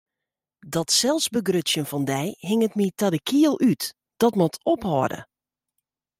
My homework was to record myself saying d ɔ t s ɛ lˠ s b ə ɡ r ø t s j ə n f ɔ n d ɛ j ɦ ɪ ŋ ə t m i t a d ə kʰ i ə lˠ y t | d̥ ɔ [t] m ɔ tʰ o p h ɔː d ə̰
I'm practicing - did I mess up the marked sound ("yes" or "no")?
no